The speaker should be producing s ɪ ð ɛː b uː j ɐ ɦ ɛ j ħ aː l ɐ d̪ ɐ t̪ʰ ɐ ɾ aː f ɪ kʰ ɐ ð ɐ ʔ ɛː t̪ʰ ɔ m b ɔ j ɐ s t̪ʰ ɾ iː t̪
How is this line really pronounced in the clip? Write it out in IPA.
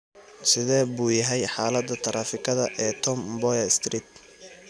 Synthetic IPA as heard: s ɪ ð ɛː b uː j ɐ ɦ ɛ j ħ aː l ɐ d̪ ɐ t̪ʰ ɐ ɾ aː f ɪ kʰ ɐ ð ɐ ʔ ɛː t̪ʰ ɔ m b ɔ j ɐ s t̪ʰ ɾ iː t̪